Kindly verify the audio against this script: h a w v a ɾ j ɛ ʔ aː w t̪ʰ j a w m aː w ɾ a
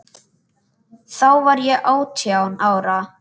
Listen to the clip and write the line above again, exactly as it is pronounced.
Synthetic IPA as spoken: θ a w v a ɾ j ɛ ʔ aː w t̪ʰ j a w n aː w ɾ a